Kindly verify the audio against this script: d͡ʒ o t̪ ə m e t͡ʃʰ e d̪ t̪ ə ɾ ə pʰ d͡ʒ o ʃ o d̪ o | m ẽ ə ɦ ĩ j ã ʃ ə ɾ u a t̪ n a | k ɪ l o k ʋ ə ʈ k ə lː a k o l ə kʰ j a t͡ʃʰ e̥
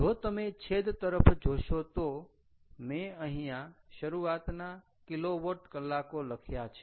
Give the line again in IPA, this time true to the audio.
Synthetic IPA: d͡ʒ o t̪ ə m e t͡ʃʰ e d̪ t̪ ə ɾ ə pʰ d͡ʒ o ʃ o t̪ o | m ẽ ə ɦ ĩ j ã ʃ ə ɾ u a t̪ n a | k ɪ l o ʋ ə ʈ k ə lː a k o l ə kʰ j a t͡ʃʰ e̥